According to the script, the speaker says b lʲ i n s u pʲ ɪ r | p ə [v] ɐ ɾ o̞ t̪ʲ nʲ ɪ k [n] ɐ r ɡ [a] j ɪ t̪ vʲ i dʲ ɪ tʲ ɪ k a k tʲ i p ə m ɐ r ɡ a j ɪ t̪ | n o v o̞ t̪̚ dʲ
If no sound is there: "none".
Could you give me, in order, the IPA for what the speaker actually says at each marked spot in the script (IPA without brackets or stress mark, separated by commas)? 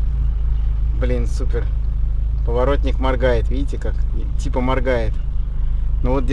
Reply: v, m, a